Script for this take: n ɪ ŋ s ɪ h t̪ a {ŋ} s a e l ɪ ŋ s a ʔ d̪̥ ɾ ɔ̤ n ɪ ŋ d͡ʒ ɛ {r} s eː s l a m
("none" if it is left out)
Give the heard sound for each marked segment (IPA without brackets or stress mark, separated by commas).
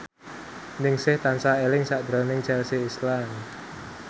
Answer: n, l